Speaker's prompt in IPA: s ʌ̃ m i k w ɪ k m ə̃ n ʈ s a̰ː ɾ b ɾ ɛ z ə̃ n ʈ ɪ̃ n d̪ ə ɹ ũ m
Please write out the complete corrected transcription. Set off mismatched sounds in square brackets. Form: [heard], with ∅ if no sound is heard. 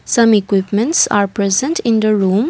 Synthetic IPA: s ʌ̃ m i k w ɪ [p] m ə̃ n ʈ s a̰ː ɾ [p] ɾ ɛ z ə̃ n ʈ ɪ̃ n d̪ ə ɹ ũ m